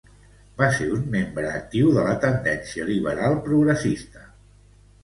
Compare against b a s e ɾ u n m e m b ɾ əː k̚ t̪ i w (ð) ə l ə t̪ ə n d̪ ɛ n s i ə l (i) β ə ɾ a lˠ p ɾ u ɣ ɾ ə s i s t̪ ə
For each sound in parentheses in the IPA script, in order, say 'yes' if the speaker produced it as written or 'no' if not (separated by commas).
yes, yes